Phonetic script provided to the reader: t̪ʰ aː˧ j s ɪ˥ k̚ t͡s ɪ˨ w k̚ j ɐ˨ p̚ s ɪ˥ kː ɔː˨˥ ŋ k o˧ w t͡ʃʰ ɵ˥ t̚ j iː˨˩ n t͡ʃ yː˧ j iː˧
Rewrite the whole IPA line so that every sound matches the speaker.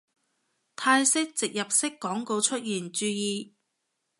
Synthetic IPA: t̪ʰ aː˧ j s ɪ˥ k̚ t͡s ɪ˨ k̚ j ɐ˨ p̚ s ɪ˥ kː ɔː˨˥ ŋ k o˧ w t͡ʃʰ ɵ˥ t̚ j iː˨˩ n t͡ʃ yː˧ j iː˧